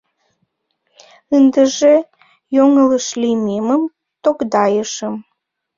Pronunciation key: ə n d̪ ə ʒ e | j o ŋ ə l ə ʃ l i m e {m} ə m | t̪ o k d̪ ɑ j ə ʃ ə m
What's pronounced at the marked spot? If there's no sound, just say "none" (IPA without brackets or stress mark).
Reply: m